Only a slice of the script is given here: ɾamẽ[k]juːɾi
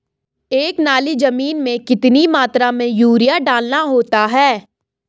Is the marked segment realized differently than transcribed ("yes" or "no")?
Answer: yes